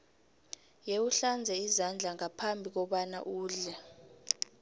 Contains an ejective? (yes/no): no